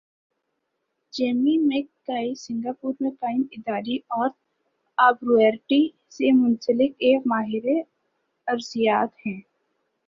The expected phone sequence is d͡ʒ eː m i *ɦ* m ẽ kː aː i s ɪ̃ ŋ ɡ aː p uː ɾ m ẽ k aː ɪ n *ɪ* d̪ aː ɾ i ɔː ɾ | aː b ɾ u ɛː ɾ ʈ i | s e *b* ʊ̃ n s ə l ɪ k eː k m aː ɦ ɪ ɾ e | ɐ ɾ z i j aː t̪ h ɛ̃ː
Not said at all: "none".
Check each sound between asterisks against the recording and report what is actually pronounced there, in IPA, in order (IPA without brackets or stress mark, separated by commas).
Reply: none, ɪ, m